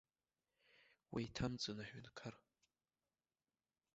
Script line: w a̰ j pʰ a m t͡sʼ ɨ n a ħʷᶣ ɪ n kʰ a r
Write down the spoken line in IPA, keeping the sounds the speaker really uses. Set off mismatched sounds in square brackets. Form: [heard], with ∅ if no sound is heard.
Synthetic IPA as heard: w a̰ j [tʰ] a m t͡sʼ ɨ n a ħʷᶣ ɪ n kʰ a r